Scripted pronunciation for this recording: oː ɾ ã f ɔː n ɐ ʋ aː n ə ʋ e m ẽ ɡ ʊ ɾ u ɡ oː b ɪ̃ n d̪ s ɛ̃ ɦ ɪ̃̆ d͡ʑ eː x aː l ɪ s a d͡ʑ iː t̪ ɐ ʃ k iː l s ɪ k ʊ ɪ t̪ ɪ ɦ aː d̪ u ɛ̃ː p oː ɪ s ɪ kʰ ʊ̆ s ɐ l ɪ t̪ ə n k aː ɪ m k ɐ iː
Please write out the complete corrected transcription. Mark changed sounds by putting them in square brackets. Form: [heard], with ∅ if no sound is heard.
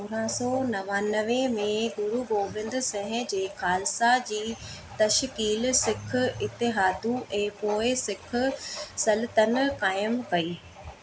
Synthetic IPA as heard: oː ɾ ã [s] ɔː n ɐ ʋ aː n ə ʋ e m ẽ ɡ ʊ ɾ u ɡ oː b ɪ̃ n d̪ s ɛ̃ ɦ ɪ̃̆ d͡ʑ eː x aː l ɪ s a d͡ʑ iː t̪ ɐ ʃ k iː l s ɪ [kʰ] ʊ ɪ t̪ ɪ ɦ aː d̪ u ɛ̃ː p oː ɪ s ɪ kʰ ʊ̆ s ɐ l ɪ t̪ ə n k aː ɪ m k ɐ iː